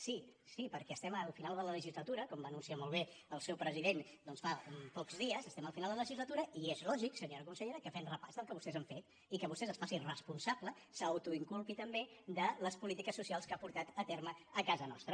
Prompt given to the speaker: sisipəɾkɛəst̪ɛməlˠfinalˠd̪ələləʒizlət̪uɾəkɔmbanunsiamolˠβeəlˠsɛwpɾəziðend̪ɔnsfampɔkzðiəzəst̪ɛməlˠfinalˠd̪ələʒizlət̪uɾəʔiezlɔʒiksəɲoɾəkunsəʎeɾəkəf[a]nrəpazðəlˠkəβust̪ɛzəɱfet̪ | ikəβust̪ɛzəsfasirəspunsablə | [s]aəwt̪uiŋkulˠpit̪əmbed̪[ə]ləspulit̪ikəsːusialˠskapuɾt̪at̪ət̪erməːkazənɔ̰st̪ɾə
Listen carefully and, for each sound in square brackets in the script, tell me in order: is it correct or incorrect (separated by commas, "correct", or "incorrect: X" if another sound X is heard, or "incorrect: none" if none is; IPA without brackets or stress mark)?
incorrect: ɛ, correct, correct